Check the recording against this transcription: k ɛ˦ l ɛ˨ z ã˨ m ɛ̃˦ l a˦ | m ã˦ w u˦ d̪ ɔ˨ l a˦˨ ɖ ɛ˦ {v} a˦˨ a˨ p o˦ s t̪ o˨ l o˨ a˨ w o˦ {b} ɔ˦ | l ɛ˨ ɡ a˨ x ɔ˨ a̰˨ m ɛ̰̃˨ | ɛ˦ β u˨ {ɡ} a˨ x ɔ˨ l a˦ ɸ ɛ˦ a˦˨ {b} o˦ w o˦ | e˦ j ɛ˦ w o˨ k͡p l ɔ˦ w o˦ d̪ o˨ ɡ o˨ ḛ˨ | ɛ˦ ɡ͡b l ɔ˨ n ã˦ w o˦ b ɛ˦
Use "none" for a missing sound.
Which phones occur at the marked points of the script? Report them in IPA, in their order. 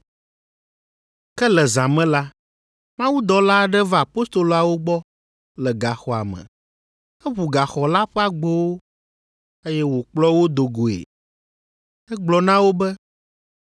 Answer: v, ɡ͡b, ɡ, ɡ͡b

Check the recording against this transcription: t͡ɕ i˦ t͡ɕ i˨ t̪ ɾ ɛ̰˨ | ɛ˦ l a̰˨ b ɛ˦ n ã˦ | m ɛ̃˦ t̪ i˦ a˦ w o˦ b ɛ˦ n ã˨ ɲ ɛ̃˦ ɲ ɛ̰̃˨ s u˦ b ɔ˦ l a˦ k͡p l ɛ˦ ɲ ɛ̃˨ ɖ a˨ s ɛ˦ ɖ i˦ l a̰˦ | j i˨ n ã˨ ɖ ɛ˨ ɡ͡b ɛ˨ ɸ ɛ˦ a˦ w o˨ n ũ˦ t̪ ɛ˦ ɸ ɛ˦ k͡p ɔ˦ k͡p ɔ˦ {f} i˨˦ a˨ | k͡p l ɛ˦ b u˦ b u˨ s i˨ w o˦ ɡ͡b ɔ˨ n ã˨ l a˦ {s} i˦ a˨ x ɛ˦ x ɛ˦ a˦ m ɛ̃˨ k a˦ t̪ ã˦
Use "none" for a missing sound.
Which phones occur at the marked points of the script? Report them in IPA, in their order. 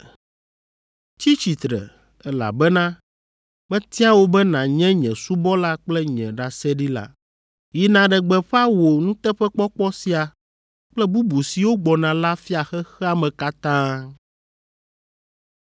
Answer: s, f

